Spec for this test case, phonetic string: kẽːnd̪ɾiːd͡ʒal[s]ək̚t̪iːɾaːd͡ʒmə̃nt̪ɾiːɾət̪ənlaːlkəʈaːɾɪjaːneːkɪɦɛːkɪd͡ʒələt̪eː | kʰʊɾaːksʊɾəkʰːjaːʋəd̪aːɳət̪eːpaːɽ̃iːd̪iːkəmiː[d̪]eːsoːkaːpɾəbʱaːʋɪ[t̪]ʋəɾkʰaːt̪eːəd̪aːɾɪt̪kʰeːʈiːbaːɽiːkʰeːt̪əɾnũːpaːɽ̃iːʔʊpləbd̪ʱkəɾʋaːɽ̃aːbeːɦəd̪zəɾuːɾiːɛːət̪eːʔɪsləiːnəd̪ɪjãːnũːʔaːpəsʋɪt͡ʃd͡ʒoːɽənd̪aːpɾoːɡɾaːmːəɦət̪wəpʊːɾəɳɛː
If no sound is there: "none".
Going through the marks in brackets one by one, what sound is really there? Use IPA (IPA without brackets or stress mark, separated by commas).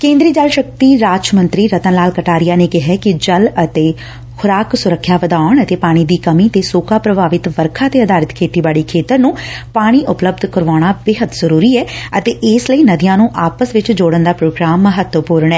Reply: ʃ, t̪, t̪